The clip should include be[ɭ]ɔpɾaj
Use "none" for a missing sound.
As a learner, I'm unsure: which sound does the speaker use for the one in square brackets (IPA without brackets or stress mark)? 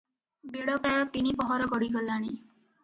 ɽ